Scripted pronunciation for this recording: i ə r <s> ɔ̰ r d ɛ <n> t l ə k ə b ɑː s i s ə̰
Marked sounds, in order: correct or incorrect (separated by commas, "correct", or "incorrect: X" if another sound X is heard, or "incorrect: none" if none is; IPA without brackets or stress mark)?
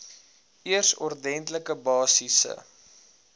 correct, correct